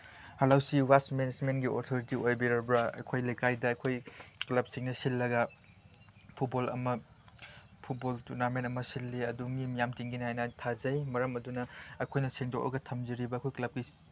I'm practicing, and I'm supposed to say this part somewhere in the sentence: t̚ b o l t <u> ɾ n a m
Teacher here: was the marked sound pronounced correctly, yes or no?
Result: yes